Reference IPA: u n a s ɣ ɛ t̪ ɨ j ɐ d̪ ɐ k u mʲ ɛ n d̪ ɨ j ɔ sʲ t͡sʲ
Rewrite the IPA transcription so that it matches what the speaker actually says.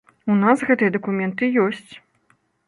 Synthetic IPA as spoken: u n a s ɣ ɛ t̪ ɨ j ɐ d̪ ɐ k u mʲ ɛ n t̪ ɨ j ɔ sʲ t͡sʲ